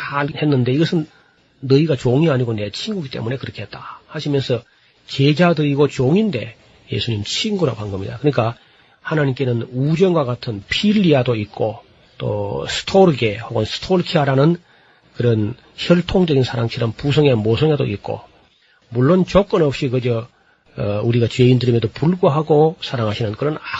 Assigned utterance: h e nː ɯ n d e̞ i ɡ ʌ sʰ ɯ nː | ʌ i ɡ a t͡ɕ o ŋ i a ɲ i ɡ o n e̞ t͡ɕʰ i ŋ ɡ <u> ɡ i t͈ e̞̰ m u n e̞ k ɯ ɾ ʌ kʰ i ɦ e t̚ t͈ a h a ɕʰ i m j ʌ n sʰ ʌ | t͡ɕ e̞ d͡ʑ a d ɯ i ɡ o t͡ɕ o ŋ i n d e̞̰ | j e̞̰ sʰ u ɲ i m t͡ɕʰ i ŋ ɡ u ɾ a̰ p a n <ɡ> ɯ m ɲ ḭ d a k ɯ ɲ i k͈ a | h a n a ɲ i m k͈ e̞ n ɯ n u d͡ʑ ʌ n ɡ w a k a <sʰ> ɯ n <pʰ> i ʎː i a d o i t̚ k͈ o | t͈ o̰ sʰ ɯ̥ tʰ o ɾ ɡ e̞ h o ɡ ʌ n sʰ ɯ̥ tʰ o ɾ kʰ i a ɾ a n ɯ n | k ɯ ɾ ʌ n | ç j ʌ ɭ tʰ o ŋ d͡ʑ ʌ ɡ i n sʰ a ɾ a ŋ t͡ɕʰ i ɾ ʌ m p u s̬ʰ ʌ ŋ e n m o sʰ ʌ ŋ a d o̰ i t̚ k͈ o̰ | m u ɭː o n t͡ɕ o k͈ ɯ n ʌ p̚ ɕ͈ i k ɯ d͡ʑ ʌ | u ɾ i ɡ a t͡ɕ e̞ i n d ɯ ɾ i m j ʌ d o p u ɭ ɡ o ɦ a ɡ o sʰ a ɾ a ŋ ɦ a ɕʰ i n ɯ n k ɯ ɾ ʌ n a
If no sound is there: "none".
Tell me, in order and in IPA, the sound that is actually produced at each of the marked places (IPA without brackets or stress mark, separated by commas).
u, ɡ, tʰ, pʰ